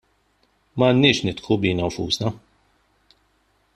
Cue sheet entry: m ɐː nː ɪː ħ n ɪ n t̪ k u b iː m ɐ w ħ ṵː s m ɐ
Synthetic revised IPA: m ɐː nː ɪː ʃ n ɪ t̪ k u b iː n ɐ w f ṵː s n ɐ

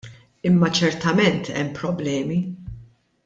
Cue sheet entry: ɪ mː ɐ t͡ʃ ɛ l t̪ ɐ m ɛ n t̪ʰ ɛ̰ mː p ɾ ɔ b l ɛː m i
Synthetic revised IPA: ɪ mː ɐ t͡ʃ ɛ ɾ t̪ ɐ m ɛ n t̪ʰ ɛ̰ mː p ɾ ɔ b l ɛː m i

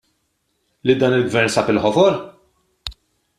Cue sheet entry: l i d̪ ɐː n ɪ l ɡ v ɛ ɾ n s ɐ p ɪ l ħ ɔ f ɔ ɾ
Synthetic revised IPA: l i d̪ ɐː n ɪ l ɡ v ɛ ɾ n s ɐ p ɪ l ħ ɔ f ɔ ɾ

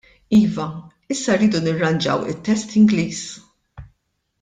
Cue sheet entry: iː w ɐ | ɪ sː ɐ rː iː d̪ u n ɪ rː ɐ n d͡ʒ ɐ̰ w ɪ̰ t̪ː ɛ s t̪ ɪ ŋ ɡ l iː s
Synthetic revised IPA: iː v ɐ | ɪ sː ɐ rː iː d̪ u n ɪ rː ɐ n d͡ʒ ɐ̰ w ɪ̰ t̪ː ɛ s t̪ ɪ ŋ ɡ l iː s

